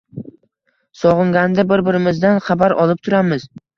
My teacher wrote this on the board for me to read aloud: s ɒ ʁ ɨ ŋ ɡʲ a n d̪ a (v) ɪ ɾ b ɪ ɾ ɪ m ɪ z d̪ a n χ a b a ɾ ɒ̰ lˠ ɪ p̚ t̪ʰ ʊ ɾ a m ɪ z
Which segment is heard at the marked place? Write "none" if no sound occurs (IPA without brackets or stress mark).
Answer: b